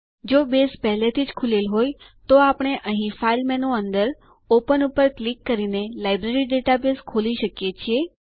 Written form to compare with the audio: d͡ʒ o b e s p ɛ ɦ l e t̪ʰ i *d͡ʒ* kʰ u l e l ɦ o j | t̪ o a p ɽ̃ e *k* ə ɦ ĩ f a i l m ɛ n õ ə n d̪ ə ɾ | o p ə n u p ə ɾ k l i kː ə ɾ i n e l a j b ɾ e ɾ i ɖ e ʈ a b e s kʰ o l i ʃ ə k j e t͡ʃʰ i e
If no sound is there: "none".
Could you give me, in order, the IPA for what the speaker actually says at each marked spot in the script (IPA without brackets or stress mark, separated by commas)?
d͡ʒ, ʔ